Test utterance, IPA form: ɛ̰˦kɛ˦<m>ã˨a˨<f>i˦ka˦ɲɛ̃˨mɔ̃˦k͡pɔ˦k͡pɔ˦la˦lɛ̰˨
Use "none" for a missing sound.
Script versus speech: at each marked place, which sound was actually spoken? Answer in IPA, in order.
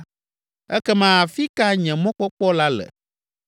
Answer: m, f

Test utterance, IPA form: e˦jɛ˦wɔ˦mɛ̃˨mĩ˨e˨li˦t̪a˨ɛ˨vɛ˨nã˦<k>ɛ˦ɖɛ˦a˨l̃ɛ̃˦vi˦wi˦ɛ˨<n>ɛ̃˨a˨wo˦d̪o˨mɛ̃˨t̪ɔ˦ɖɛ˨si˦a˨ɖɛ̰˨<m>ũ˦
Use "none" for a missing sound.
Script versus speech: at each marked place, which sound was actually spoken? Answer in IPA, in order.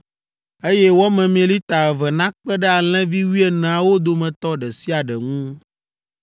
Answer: k͡p, n, ŋ

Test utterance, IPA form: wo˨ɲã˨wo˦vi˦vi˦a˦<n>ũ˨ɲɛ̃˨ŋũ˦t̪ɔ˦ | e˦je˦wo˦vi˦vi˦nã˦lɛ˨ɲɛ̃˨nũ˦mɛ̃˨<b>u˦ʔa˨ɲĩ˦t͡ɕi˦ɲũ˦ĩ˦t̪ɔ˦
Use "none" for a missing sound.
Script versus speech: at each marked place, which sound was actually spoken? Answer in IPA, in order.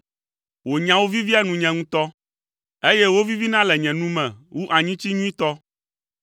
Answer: n, w

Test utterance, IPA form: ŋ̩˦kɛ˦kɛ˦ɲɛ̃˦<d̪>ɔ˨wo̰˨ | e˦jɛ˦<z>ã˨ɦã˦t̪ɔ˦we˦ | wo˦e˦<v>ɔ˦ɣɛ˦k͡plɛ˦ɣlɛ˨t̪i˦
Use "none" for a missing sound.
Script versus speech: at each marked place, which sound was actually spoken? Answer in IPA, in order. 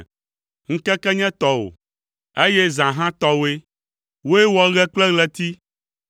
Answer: t̪, z, w

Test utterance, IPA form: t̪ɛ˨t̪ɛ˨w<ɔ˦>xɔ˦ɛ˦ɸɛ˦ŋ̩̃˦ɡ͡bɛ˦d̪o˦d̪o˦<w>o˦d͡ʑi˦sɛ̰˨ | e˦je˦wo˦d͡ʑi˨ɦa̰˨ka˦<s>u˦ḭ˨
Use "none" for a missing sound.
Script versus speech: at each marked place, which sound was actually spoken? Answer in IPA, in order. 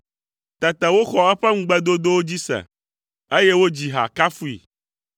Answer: o˦, w, f

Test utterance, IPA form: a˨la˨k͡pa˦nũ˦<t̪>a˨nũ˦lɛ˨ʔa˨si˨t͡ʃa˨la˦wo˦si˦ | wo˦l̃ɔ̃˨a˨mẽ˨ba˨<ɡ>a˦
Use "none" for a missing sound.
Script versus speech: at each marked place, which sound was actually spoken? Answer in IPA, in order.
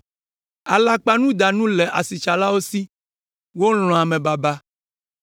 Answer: d̪, b

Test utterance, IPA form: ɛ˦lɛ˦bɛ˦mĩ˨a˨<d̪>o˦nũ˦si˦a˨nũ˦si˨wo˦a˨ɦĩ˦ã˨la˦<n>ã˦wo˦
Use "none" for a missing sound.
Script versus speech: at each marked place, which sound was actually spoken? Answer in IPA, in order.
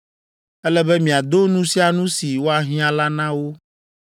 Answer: d̪, n

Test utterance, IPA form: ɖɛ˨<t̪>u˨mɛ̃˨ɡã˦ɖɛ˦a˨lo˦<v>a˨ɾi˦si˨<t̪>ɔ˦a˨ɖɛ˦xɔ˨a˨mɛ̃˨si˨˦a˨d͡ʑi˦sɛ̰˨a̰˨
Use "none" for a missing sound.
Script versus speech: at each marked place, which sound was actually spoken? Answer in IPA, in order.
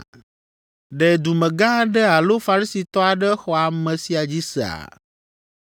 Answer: d̪, f, t̪

